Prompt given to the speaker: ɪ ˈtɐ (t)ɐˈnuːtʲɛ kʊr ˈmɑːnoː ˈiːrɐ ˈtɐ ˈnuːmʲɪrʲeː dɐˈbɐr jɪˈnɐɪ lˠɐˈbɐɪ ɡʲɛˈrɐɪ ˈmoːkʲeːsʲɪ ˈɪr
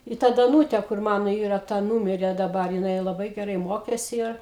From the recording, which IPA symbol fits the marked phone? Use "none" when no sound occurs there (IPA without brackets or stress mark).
d